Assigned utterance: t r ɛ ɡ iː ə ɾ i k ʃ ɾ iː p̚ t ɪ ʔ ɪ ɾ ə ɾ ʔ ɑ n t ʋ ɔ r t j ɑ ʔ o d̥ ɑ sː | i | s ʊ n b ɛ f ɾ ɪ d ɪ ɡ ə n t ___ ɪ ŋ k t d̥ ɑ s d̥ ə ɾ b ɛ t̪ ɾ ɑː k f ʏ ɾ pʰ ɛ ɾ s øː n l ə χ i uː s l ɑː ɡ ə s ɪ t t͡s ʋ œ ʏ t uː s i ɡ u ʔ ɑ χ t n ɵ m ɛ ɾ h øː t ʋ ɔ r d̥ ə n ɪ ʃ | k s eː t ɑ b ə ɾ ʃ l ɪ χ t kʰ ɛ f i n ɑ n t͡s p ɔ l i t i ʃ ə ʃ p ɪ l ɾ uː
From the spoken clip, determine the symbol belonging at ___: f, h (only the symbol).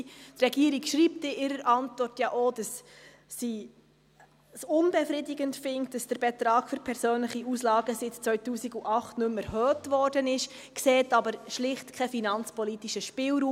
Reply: f